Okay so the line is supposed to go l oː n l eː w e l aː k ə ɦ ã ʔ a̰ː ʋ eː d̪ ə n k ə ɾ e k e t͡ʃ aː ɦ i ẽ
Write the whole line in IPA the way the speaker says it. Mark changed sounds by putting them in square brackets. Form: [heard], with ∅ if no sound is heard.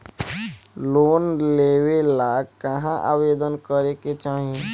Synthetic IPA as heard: l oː n l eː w e l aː k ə ɦ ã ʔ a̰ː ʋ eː d̪ ə n k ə ɾ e k e t͡ʃ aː ɦ i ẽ

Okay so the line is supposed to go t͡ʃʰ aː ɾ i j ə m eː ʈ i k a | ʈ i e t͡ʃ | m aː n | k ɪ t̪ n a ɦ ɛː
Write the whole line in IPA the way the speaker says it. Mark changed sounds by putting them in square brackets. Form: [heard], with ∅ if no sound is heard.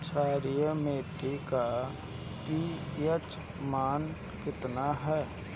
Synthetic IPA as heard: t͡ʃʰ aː ɾ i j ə m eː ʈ i k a | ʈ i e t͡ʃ | m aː n | k ɪ t̪ n a ɦ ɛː

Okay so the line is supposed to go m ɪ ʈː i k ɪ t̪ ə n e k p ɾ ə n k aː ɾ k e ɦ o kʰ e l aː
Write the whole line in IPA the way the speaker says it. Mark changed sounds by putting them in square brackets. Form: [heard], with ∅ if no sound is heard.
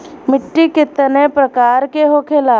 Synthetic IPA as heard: m ɪ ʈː i k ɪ t̪ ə n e [∅] p ɾ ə [∅] k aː ɾ k e ɦ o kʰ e l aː

